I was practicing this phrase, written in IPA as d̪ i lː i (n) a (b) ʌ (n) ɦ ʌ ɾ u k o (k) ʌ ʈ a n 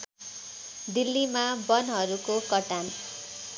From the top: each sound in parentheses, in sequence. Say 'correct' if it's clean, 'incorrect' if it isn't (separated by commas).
incorrect, correct, correct, correct